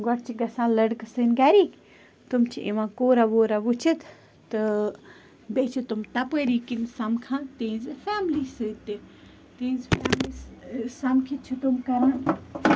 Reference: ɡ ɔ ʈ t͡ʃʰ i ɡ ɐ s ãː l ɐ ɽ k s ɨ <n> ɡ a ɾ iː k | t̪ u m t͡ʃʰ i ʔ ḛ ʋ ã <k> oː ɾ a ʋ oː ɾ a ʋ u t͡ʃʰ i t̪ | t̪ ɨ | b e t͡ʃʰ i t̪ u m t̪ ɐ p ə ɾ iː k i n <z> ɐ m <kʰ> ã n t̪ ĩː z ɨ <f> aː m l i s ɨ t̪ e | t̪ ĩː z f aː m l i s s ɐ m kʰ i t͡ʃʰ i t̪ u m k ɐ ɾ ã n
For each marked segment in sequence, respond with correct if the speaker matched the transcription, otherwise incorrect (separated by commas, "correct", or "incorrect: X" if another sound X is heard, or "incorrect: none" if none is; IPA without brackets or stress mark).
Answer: correct, correct, incorrect: s, correct, correct